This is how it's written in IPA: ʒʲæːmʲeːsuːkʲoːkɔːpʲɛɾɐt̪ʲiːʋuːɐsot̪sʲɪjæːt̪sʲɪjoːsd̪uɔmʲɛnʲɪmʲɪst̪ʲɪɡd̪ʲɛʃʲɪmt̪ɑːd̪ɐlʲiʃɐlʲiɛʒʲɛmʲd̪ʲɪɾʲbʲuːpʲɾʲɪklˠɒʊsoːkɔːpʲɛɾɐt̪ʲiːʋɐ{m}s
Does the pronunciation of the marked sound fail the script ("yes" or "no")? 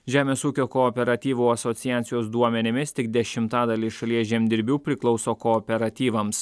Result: no